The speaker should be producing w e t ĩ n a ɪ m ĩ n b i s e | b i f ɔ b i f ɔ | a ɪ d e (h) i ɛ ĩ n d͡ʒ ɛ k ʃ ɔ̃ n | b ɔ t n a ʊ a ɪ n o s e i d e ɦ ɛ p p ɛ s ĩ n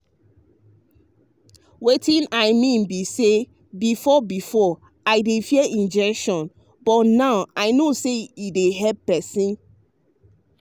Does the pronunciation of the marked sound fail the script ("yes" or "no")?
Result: yes